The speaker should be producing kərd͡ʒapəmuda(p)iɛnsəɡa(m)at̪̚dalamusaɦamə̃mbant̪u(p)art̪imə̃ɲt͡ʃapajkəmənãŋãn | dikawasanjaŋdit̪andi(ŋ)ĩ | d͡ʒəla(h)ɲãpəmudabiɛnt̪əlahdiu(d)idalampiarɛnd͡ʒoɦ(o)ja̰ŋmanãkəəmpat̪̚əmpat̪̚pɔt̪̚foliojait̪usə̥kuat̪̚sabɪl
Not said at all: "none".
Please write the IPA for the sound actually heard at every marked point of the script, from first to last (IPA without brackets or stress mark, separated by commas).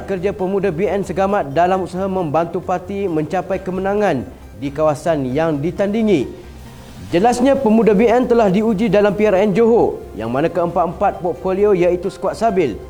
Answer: b, m, p, ŋ, s, d͡ʒ, o